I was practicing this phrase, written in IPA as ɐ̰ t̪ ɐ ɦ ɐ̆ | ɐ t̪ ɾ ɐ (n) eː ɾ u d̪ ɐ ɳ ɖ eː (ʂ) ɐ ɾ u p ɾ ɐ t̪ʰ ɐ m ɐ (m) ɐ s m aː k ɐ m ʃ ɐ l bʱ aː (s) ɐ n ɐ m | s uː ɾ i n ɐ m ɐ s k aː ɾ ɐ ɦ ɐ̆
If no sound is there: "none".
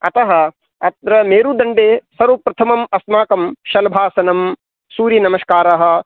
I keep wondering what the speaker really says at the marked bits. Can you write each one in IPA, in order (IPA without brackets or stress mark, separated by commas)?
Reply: m, s, m, s